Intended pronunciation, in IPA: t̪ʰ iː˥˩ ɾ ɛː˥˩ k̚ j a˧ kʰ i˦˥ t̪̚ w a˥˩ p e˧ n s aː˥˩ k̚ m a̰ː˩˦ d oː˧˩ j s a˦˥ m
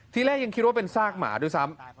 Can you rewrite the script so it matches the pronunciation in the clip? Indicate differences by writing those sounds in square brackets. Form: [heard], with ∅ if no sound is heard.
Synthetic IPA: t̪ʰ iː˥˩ [l] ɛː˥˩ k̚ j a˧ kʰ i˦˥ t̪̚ w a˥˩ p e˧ n s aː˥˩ k̚ m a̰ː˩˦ d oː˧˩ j s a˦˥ m